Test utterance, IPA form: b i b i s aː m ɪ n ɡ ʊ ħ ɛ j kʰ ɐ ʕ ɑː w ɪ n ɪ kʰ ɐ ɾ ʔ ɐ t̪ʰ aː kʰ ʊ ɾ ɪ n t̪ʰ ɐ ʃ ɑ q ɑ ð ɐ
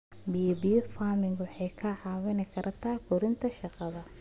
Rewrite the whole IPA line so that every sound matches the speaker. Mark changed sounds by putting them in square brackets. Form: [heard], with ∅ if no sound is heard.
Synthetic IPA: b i b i [f] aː m ɪ [ŋ] ɡ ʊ ħ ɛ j kʰ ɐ ʕ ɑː w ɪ n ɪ kʰ ɐ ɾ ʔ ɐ t̪ʰ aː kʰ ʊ ɾ ɪ n t̪ʰ ɐ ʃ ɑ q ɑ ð ɐ